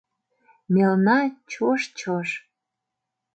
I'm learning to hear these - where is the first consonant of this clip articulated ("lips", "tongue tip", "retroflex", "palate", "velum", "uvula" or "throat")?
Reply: lips